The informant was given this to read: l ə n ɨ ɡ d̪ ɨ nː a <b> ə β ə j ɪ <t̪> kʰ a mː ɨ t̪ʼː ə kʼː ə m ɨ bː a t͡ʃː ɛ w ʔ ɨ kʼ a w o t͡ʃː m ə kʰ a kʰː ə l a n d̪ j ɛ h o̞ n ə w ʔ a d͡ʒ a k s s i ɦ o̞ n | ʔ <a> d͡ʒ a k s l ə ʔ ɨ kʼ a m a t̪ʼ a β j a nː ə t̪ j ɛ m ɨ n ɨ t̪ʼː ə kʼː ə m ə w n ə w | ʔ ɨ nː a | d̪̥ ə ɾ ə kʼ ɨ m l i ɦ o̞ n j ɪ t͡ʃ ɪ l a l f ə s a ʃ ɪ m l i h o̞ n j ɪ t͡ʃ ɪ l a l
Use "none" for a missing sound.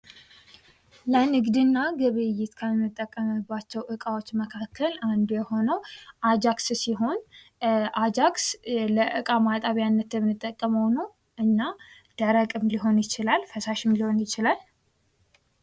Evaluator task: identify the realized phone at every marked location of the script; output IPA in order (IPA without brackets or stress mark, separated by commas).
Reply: ɡ, t̪, a